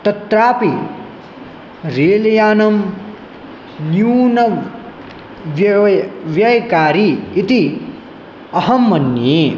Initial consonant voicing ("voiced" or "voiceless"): voiceless